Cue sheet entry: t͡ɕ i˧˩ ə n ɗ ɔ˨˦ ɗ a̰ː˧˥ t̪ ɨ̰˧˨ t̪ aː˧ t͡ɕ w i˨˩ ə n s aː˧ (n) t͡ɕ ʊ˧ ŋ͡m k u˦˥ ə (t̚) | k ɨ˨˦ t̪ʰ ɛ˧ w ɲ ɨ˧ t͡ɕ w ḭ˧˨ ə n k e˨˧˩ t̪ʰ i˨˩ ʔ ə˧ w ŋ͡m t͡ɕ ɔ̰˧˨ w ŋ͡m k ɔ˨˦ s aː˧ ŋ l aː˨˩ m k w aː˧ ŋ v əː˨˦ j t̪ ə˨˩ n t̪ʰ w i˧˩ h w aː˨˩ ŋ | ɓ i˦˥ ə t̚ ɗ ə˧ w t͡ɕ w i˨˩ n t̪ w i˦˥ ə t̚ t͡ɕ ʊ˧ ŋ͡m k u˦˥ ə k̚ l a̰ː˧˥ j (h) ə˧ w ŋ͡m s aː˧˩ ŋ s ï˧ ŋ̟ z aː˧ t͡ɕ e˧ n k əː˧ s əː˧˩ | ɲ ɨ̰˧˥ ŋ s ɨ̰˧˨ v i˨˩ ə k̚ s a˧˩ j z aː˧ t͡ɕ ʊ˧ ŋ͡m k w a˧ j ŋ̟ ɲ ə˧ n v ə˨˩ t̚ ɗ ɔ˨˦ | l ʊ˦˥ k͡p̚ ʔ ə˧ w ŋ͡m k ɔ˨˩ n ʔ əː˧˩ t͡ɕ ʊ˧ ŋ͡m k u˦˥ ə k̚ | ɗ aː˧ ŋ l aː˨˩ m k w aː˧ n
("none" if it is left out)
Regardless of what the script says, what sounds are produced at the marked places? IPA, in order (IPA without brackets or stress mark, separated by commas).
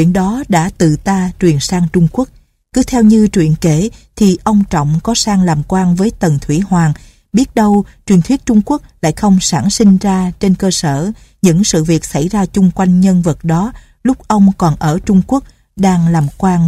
ŋ, k̚, x